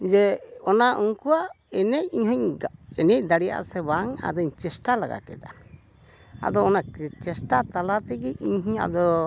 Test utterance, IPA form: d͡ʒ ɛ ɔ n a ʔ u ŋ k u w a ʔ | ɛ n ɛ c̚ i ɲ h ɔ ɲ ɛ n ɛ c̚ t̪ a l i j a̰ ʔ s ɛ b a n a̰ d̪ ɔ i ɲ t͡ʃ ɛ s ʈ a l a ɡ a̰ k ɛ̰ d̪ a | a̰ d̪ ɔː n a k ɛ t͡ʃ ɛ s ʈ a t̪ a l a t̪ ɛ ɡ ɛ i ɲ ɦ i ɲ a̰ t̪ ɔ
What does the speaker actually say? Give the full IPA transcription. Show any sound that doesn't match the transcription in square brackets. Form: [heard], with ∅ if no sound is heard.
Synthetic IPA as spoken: d͡ʒ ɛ ɔ n a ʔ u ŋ k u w a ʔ | ɛ n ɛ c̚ i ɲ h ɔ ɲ ɛ n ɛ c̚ [d̪] a [ɽ] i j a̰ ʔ s ɛ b a [ŋ] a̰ d̪ ɔ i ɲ t͡ʃ ɛ s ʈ a l a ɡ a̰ k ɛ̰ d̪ a | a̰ d̪ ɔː n a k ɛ t͡ʃ ɛ s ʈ a t̪ a l a t̪ ɛ ɡ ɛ i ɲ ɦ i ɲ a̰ [d̪] ɔ